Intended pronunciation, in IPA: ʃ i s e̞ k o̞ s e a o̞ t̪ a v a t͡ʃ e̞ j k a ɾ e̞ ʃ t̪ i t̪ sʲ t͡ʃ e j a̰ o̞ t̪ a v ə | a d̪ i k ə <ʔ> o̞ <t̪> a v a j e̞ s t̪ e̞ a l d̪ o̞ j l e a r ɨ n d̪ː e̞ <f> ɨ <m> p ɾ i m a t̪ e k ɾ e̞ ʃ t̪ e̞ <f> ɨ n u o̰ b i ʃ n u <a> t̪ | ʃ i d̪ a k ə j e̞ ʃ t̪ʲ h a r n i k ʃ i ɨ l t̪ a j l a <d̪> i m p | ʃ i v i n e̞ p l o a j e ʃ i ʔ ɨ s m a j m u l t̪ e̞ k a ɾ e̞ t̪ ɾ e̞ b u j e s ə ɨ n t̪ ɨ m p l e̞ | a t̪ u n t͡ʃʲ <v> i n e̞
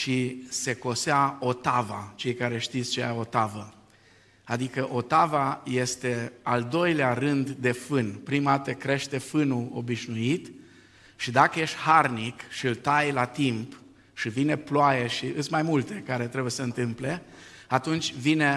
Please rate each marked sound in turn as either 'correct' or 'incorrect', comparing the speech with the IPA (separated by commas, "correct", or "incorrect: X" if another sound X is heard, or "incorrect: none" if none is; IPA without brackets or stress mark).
correct, correct, correct, incorrect: n, correct, incorrect: i, incorrect: t̪, correct